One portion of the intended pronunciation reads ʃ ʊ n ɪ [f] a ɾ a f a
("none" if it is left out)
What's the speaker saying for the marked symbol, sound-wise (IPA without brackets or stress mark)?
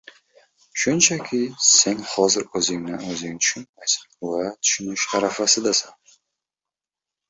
ʃ